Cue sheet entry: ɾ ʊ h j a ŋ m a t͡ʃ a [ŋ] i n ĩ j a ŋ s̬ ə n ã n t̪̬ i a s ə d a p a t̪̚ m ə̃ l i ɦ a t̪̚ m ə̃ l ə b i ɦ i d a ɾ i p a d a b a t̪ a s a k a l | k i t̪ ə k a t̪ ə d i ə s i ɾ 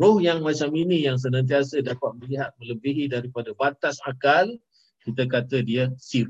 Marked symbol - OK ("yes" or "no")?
no